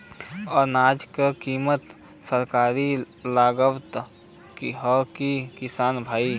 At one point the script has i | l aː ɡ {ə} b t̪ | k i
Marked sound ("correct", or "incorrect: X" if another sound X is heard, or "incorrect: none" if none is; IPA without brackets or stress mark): correct